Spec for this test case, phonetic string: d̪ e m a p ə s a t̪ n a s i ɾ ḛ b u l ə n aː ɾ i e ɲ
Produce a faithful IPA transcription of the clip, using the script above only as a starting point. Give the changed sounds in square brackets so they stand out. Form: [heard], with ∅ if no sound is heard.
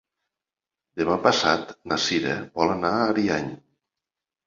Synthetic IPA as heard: d̪ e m a p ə s a t̪ n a s i ɾ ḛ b [ɔ] l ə n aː ɾ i [a] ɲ